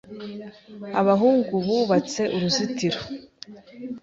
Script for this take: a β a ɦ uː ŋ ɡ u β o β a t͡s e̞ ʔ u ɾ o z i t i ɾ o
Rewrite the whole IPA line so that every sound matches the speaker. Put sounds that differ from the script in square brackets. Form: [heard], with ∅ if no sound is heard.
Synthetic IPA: a β a ɦ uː ŋ ɡ u β [u] β a t͡s e̞ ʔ u ɾ [u] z i t i ɾ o